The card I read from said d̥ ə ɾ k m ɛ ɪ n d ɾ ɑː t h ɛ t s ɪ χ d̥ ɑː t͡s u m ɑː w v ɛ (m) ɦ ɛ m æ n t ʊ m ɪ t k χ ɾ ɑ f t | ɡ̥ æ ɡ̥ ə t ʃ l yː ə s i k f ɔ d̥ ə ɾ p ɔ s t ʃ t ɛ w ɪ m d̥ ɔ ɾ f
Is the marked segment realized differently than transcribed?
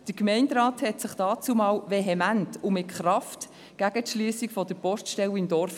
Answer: yes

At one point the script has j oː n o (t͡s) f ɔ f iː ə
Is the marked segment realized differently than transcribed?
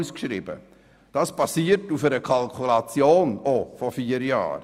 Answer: yes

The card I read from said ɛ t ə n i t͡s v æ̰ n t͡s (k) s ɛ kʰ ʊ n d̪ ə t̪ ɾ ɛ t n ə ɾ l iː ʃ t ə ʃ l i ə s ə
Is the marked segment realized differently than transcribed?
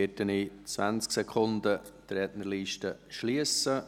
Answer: no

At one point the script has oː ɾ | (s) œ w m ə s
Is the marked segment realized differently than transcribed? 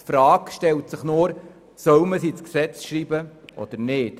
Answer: no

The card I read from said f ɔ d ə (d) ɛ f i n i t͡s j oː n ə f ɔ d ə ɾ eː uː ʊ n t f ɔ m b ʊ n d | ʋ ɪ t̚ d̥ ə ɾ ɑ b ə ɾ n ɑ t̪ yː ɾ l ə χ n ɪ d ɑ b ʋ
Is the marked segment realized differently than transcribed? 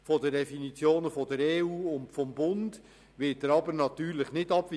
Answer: no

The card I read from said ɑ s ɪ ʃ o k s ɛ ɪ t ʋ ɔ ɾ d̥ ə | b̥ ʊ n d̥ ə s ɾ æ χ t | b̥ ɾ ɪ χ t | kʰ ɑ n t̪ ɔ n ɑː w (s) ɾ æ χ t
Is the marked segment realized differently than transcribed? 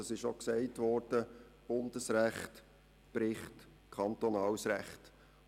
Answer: no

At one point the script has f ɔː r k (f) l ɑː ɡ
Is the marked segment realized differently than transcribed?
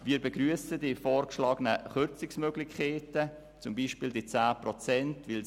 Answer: yes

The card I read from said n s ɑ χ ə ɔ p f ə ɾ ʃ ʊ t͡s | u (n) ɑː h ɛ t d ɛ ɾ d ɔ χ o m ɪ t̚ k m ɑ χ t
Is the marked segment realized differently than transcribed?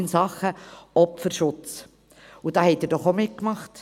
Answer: yes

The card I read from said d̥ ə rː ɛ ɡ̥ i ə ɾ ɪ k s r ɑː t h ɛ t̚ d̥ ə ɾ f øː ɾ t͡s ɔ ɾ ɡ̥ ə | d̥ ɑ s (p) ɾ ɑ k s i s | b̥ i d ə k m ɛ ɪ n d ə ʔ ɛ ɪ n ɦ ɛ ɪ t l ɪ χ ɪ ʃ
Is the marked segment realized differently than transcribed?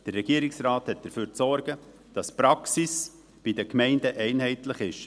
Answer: no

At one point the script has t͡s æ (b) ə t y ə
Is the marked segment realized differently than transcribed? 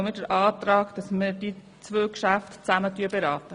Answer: yes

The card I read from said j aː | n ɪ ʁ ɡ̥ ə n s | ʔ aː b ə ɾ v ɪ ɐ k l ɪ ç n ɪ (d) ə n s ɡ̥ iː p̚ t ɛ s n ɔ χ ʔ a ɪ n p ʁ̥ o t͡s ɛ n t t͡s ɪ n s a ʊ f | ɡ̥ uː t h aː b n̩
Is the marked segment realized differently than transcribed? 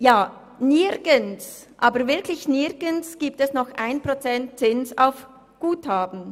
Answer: yes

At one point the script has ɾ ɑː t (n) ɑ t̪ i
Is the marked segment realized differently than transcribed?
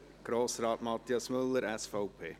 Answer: yes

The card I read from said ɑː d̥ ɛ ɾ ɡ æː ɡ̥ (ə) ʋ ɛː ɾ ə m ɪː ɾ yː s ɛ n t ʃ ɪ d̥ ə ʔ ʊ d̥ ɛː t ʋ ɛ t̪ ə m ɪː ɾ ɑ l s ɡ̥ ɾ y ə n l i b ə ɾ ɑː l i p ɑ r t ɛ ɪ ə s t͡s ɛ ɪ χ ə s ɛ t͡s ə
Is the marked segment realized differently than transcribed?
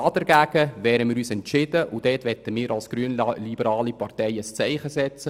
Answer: no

